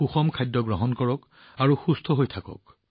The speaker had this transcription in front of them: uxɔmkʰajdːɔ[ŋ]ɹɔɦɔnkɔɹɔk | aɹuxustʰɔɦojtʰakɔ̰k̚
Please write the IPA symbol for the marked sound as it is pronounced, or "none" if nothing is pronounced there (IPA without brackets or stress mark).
ɡ